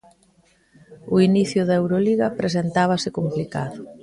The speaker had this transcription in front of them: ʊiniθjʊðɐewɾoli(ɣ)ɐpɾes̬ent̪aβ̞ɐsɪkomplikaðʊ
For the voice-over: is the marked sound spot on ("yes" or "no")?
yes